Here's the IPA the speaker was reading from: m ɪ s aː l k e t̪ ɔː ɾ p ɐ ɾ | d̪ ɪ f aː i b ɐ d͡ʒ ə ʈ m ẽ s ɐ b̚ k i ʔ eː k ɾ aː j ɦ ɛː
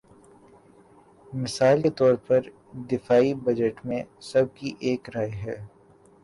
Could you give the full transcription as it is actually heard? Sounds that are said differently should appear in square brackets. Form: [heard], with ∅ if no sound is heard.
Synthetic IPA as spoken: m ɪ s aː l k e t̪ ɔː ɾ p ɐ ɾ | d̪ ɪ f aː i b ɐ d͡ʒ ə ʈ m ẽ s ɐ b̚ k i ʔ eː k ɾ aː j ɦ ɛː